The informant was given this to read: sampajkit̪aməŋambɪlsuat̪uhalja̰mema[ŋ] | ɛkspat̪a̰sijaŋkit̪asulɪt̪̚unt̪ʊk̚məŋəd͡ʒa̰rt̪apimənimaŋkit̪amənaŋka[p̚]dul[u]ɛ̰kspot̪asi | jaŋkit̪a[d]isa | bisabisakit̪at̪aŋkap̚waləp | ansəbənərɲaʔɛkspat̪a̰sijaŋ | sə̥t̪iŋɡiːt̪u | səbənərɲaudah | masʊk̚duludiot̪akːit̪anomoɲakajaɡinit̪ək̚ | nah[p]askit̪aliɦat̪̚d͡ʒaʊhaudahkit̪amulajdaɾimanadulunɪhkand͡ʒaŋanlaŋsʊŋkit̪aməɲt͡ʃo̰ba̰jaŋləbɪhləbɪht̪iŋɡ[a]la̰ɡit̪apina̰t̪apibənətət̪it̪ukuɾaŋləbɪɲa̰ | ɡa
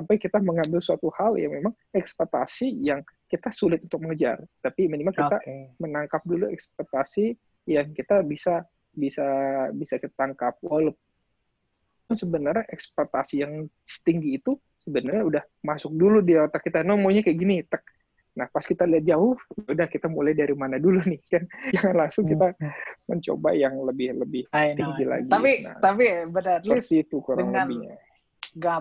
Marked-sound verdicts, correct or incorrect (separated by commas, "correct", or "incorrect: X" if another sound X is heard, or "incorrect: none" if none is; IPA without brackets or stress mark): correct, correct, correct, incorrect: b, correct, incorrect: i